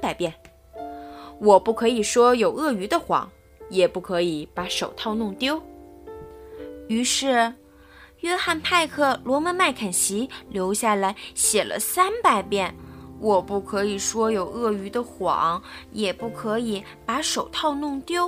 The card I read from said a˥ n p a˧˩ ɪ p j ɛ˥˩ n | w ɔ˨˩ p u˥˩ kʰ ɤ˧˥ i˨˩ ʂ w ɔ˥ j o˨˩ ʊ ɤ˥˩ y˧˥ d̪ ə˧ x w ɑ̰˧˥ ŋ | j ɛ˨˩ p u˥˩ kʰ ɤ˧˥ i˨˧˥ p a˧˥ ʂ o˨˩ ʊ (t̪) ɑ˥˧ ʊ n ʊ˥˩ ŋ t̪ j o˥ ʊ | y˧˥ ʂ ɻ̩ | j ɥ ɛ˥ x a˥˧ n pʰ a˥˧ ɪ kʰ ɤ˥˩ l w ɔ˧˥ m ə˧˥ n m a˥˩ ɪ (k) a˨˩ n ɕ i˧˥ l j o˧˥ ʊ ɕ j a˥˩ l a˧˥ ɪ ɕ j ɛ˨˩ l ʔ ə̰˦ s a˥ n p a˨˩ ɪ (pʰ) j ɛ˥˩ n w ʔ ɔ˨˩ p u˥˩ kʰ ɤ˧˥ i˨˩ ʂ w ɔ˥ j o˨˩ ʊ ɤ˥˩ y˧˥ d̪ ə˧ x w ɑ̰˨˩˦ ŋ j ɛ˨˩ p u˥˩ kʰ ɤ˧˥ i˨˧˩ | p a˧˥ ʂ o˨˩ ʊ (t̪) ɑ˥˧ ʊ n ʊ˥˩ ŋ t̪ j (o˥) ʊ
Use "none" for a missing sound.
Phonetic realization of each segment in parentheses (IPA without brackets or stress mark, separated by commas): t̪ʰ, kʰ, p, t̪ʰ, o˥